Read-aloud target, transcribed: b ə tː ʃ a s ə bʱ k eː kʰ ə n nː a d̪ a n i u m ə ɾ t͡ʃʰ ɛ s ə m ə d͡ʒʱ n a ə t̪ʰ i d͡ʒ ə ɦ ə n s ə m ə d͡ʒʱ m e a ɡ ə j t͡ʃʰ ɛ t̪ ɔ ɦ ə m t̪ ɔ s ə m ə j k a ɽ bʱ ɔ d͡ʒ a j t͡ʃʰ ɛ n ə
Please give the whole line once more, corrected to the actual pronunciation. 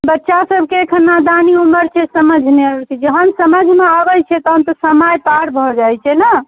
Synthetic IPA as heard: b ə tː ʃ a s ə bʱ k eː kʰ ə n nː a d̪ a n i u m ə ɾ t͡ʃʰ ɛ s ə m ə d͡ʒʱ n e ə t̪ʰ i d͡ʒ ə ɦ ə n s ə m ə d͡ʒʱ m e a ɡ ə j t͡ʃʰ ɛ t̪ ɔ ɦ ə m t̪ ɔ s ə m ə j p a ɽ bʱ ɔ d͡ʒ a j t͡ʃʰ ɛ n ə